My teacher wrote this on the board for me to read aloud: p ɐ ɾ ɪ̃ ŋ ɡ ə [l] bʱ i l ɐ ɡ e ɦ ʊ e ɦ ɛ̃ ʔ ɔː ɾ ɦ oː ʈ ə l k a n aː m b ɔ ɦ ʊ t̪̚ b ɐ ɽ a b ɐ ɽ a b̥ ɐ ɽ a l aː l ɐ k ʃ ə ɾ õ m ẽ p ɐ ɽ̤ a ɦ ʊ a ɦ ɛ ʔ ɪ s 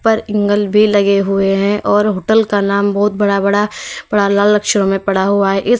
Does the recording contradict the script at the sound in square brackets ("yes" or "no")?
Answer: no